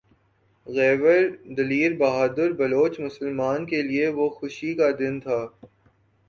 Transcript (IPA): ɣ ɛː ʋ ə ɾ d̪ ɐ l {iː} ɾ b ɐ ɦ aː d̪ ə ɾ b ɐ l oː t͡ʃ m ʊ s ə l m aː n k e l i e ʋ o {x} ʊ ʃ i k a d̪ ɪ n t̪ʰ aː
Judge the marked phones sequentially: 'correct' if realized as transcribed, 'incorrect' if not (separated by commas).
correct, correct